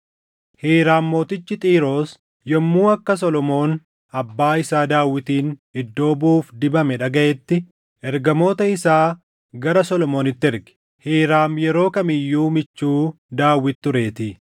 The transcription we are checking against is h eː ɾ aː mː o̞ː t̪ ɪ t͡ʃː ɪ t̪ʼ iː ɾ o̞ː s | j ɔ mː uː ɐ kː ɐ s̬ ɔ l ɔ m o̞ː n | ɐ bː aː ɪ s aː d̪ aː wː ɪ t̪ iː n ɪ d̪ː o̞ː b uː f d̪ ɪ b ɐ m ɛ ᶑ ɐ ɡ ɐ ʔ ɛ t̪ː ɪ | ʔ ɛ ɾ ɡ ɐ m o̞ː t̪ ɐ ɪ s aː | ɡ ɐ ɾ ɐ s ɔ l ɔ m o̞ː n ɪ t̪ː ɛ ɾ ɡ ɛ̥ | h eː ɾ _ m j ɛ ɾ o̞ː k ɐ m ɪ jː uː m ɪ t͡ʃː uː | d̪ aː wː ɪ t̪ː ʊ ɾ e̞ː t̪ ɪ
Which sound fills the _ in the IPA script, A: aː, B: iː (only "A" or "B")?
A